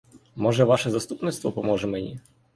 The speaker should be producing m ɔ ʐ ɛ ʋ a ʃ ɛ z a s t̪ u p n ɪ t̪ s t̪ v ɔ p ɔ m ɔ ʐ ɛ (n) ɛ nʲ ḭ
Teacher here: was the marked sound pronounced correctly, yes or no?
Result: no